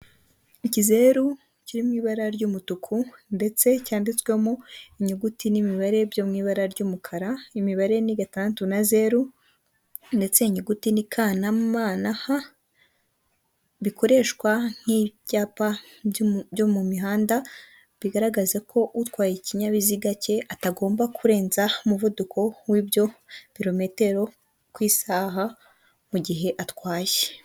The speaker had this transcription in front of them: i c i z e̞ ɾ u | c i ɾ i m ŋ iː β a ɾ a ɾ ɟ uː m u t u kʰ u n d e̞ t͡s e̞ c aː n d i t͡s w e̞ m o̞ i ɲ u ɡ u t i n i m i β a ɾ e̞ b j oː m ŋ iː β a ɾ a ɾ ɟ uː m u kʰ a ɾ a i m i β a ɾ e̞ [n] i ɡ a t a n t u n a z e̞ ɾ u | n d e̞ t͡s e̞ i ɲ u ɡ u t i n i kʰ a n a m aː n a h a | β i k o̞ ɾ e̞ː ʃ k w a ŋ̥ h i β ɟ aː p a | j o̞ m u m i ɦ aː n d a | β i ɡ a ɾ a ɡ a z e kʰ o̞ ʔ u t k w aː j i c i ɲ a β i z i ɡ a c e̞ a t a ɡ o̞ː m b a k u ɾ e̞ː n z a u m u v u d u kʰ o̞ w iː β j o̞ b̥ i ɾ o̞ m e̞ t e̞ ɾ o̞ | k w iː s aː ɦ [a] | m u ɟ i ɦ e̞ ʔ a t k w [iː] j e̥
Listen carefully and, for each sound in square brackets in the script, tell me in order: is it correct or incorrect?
correct, correct, incorrect: aː

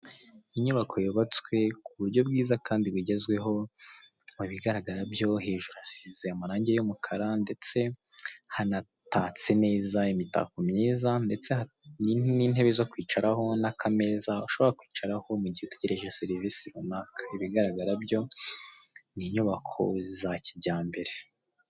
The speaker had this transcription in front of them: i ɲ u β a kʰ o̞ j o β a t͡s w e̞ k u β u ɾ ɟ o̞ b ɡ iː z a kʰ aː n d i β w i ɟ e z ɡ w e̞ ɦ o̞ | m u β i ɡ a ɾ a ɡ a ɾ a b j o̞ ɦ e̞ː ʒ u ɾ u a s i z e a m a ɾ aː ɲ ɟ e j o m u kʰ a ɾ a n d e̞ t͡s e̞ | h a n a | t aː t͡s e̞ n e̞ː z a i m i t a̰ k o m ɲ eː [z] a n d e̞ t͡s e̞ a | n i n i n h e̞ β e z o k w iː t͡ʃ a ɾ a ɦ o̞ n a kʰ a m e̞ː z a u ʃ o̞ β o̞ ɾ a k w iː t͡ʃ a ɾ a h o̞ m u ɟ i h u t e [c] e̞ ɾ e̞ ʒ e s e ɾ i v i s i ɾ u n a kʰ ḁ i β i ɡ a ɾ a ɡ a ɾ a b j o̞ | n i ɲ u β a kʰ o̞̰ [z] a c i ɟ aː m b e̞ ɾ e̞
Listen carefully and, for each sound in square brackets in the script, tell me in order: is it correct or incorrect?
correct, incorrect: ɟ, correct

